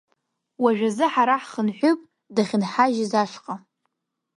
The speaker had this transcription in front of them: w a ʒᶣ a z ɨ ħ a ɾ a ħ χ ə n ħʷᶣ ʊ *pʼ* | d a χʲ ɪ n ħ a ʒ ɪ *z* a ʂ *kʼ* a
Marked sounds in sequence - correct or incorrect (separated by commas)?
correct, correct, incorrect